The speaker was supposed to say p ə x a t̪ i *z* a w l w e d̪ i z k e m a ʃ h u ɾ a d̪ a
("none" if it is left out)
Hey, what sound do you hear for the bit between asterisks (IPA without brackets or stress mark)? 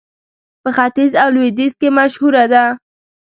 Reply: z